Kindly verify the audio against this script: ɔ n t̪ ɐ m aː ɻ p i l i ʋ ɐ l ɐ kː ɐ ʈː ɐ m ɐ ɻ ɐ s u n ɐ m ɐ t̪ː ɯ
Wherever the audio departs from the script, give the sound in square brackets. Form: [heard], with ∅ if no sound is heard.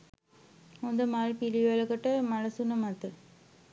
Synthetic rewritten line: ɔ n [d̪] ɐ m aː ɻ p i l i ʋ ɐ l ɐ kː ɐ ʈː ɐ m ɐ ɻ ɐ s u n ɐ m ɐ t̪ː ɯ